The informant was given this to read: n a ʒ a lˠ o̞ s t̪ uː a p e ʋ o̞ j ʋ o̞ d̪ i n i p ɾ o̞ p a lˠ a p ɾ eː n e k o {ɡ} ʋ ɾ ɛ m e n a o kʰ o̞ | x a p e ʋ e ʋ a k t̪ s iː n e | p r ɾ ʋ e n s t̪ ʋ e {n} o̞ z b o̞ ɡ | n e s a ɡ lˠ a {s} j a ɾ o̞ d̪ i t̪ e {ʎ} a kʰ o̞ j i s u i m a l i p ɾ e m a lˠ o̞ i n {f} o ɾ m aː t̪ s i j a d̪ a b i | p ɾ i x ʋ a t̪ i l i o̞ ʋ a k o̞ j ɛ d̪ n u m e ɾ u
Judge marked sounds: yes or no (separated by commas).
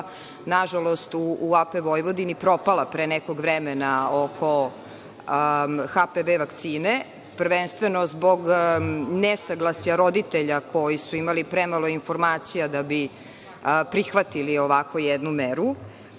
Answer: yes, yes, yes, yes, yes